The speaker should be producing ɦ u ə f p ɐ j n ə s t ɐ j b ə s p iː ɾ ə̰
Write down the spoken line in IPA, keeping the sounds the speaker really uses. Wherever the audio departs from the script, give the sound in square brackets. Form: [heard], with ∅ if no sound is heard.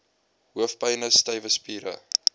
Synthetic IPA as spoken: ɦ u ə f p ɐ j n ə s t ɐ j [v] ə s p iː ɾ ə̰

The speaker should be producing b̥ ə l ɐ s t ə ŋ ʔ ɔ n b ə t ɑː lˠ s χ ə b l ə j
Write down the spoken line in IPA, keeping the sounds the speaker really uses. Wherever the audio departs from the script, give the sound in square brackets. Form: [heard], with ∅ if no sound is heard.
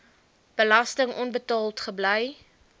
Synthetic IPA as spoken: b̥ ə l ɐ s t ə ŋ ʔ ɔ n b ə t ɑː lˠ [t] χ ə b l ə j

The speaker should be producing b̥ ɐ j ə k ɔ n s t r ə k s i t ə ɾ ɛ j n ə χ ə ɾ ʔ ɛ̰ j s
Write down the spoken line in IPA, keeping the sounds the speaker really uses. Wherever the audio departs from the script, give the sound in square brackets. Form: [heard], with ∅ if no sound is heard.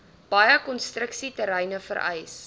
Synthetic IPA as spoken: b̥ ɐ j ə k ɔ n s t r ə k s i t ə ɾ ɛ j n ə [f] ə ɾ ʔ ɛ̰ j s

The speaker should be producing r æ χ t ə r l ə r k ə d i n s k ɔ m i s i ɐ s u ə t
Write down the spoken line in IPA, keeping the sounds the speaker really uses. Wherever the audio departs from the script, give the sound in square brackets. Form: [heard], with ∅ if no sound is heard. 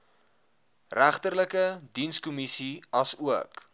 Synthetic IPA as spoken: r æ χ t ə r l ə [∅] k ə d i n s k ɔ m i s i ɐ s u ə [k]

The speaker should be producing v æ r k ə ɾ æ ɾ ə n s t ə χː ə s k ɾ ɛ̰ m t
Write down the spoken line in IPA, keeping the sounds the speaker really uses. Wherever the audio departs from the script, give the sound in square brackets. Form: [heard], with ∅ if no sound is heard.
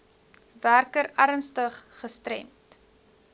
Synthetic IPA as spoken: v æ r k ə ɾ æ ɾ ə n s t ə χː ə s [t] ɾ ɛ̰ m t

